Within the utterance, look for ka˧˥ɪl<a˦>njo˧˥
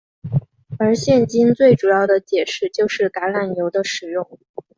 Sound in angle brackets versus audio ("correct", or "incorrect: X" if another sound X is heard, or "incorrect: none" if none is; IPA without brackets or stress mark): incorrect: a˨˩